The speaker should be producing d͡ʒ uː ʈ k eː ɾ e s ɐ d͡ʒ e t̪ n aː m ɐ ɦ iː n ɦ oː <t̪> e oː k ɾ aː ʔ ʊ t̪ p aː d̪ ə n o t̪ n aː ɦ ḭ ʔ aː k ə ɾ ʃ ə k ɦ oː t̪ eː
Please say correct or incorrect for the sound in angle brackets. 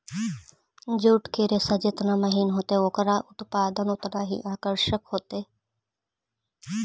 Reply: correct